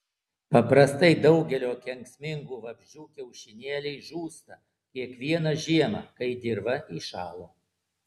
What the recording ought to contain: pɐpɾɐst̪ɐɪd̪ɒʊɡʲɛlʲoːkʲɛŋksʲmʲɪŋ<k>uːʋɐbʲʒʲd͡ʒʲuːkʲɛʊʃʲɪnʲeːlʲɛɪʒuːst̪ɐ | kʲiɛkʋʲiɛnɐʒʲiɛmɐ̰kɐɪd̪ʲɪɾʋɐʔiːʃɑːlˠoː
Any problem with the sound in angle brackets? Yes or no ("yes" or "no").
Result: yes